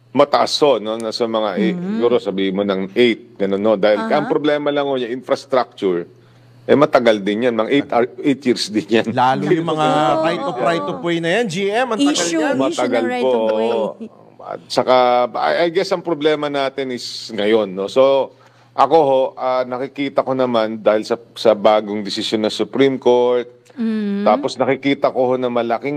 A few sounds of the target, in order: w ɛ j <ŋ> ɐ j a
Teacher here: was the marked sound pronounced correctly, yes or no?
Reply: no